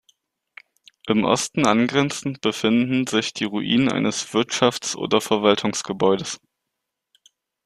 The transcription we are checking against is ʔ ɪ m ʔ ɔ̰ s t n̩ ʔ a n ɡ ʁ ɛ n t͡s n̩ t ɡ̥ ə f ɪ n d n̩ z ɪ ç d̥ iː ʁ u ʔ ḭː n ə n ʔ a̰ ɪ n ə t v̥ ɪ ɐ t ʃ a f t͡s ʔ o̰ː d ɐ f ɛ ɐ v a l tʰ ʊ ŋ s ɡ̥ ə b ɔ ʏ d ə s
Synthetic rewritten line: ʔ ɪ m ʔ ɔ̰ s t n̩ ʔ a n ɡ ʁ ɛ n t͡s n̩ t b̥ ə f ɪ n d n̩ z ɪ ç d̥ iː ʁ u ʔ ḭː n ə n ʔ a̰ ɪ n ə s v̥ ɪ ɐ t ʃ a f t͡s ʔ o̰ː d ɐ f ɛ ɐ v a l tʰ ʊ ŋ s ɡ̥ ə b ɔ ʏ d ə s

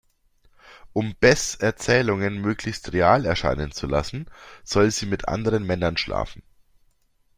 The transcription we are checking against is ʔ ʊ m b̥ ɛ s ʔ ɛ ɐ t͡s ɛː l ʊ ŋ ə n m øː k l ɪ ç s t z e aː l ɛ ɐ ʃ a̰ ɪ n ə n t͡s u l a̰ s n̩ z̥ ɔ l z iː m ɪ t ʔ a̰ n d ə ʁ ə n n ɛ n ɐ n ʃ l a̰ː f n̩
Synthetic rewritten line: ʔ ʊ m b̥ ɛ s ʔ ɛ ɐ t͡s ɛː l ʊ ŋ ə n m øː k l ɪ ç s t ʁ e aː l ɛ ɐ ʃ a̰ ɪ n ə n t͡s u l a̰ s n̩ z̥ ɔ l z iː m ɪ t ʔ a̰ n d ə ʁ ə n m ɛ n ɐ n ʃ l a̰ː f n̩

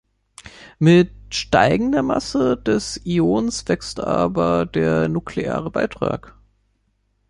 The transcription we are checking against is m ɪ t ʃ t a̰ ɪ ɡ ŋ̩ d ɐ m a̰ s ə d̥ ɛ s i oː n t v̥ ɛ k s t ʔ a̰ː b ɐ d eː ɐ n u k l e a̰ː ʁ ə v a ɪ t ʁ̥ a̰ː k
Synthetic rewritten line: m ɪ t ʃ t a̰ ɪ ɡ ŋ̩ d ɐ m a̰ s ə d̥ ɛ s i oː n s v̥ ɛ k s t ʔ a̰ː b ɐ d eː ɐ n u k l e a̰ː ʁ ə b a ɪ t ʁ̥ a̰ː k

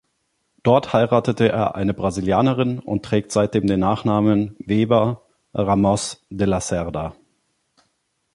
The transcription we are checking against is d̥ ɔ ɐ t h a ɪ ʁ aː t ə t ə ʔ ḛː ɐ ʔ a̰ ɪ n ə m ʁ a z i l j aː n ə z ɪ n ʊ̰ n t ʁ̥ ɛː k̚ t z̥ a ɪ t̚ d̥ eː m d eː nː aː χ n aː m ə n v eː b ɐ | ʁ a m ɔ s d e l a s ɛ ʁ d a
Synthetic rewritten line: d̥ ɔ ɐ t h a ɪ ʁ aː t ə t ə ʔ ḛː ɐ ʔ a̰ ɪ n ə b ʁ a z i l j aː n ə ʁ ɪ n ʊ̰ n t ʁ̥ ɛː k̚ t z̥ a ɪ t̚ d̥ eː m d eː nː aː χ n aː m ə n v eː b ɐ | ʁ a m ɔ s d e l a s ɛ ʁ d a

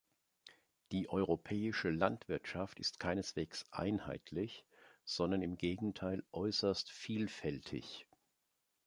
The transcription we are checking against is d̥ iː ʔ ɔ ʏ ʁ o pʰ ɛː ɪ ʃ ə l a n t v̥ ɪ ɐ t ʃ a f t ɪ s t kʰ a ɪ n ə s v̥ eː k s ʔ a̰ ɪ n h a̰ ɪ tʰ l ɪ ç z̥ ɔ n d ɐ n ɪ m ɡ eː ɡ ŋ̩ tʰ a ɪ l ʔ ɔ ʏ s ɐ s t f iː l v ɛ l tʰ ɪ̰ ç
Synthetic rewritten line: d̥ iː ʔ ɔ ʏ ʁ o pʰ ɛː ɪ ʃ ə l a n t v̥ ɪ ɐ t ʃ a f t ɪ s t kʰ a ɪ n ə s v̥ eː k s ʔ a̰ ɪ n h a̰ ɪ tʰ l ɪ ç z̥ ɔ n d ɐ n ɪ m ɡ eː ɡ ŋ̩ tʰ a ɪ l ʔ ɔ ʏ s ɐ s t f iː l f ɛ l tʰ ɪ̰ ç

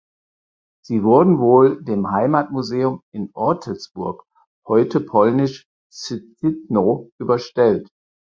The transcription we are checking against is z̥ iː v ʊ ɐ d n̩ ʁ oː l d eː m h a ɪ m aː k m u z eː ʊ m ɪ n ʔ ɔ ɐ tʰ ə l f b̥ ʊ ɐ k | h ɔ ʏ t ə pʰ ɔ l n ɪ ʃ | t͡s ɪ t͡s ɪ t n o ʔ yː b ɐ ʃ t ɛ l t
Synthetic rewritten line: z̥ iː v ʊ ɐ d n̩ v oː l d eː m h a ɪ m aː t m u z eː ʊ m ɪ n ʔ ɔ ɐ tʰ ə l s b̥ ʊ ɐ k | h ɔ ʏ t ə pʰ ɔ l n ɪ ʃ | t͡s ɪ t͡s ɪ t n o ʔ yː b ɐ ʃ t ɛ l t

